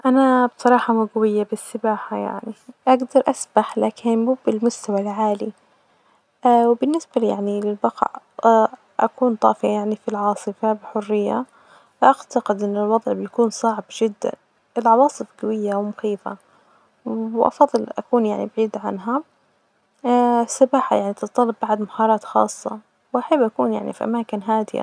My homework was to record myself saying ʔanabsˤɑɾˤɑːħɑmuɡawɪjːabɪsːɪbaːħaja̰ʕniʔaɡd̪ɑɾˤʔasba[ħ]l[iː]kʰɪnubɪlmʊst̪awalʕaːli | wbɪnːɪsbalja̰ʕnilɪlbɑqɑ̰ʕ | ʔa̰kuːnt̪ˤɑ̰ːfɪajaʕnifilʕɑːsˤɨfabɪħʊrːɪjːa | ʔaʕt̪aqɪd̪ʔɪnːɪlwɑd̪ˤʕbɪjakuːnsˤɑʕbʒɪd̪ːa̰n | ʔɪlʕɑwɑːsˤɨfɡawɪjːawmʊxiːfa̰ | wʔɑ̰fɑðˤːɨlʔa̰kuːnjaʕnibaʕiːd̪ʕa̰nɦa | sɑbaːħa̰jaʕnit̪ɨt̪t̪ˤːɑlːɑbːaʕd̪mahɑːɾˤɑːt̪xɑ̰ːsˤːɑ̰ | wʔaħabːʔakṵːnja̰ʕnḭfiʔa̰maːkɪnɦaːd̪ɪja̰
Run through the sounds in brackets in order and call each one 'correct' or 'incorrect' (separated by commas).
correct, incorrect